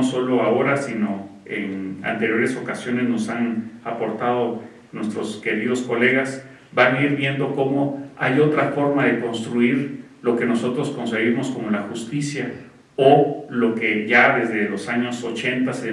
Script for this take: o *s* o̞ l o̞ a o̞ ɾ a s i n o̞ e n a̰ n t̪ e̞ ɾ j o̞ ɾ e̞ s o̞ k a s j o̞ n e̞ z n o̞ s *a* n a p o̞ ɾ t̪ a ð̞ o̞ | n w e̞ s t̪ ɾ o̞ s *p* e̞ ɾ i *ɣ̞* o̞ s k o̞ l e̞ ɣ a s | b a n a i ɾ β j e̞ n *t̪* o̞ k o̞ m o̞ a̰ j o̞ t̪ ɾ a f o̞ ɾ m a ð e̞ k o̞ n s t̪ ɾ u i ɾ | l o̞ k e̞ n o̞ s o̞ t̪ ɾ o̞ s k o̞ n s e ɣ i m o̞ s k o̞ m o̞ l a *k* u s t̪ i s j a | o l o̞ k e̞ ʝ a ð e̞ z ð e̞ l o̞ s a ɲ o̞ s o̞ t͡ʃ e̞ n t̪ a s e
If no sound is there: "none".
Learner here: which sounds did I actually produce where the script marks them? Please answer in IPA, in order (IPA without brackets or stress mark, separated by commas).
s, a, k, ð̞, d̪, x